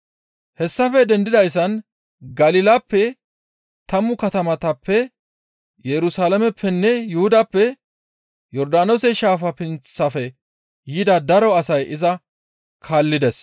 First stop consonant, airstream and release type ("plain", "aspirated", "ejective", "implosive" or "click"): plain